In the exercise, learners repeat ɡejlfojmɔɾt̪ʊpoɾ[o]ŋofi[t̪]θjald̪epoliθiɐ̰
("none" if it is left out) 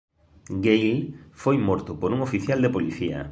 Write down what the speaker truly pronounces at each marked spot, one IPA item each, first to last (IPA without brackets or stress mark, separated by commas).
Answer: u, none